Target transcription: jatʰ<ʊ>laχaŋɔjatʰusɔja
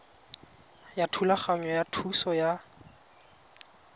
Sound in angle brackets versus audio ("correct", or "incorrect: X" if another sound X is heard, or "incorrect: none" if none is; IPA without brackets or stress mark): incorrect: u